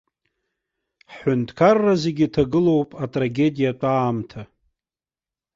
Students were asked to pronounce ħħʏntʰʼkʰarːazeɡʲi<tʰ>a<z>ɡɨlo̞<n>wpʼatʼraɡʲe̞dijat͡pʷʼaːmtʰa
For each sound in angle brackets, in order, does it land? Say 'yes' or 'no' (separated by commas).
yes, no, no